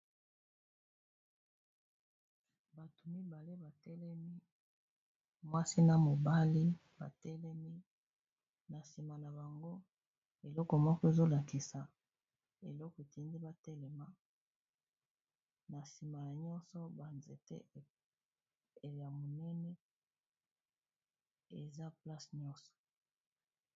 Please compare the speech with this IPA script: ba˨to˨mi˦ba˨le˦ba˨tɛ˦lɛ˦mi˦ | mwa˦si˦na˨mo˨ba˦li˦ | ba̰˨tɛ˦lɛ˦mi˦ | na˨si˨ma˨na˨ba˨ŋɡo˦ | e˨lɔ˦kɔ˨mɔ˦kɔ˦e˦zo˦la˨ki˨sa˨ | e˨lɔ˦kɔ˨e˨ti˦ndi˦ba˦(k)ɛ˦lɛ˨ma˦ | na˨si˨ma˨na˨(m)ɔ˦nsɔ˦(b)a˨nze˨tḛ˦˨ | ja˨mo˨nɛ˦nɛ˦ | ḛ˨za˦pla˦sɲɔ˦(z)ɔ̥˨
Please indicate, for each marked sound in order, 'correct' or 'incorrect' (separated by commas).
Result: incorrect, incorrect, correct, incorrect